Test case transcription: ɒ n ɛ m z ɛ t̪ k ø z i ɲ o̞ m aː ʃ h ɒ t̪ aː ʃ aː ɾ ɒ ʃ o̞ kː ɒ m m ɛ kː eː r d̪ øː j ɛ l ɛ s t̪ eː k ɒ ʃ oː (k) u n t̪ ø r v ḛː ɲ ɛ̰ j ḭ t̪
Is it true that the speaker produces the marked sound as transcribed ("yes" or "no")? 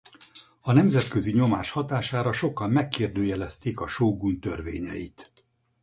no